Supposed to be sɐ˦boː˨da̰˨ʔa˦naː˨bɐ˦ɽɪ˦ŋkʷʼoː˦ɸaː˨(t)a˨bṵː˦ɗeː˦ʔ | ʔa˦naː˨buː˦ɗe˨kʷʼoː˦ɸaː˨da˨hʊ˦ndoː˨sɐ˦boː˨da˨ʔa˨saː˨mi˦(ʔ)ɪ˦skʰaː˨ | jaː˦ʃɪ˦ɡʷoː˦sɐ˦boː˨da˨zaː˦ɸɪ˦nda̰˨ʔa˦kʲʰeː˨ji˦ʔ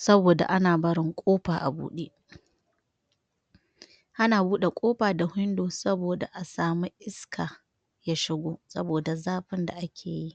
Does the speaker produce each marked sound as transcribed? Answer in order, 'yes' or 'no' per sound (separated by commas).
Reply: no, yes